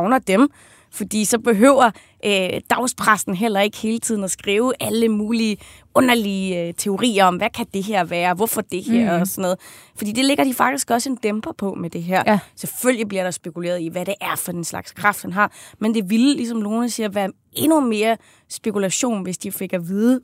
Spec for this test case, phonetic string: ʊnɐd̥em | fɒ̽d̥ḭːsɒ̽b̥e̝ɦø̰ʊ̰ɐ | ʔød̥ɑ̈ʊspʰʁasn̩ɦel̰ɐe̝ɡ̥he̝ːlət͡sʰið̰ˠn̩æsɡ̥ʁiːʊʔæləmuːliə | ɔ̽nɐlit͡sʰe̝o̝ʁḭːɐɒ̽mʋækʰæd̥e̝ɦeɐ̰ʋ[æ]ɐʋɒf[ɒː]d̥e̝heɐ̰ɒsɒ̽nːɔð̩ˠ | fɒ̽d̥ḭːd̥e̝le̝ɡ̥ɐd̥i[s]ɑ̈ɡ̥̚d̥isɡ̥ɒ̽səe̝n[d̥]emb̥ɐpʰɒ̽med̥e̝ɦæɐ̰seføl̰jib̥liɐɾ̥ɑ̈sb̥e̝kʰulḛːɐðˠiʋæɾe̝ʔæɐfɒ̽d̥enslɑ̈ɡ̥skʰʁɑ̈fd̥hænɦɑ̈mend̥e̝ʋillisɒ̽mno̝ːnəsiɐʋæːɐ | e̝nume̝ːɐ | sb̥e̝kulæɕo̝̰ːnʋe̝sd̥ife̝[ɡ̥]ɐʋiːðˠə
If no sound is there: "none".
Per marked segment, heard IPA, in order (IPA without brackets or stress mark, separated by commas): æː, ɒ, f, d̥, ɡ̥